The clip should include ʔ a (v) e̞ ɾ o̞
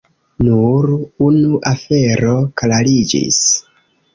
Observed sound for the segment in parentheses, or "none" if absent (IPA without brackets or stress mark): f